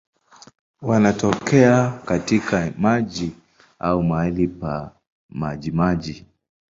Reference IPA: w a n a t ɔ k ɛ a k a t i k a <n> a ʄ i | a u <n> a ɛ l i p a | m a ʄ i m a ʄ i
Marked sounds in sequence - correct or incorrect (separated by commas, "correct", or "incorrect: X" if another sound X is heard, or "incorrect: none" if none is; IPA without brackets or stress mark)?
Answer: incorrect: m, incorrect: m